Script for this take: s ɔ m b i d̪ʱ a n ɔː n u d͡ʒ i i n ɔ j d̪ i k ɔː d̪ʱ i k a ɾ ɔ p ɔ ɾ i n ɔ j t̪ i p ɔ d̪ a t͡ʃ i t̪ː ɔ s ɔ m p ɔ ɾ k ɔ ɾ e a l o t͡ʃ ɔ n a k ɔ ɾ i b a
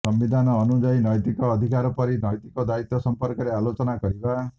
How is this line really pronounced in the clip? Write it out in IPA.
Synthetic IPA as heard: s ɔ m b i d̪ʱ a n ɔː n u d͡ʒ a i n ɔ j t̪ i k ɔː d̪ʱ i k a ɾ ɔ p ɔ ɾ i n ɔ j t̪ i k ɔ d̪ a i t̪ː ɔ s ɔ m p ɔ ɾ k ɔ ɾ e a l o t͡ʃ ɔ n a k ɔ ɾ i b a